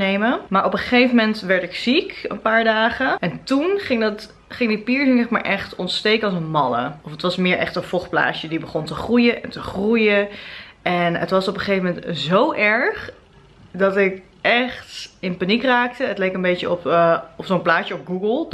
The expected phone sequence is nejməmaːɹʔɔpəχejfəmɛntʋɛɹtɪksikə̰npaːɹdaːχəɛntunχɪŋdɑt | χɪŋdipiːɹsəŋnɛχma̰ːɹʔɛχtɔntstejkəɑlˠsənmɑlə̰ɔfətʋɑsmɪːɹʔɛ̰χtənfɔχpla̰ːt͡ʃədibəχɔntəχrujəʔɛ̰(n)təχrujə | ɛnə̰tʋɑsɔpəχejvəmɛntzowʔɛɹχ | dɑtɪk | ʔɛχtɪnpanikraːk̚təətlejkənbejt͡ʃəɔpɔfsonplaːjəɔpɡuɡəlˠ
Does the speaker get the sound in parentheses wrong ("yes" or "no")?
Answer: no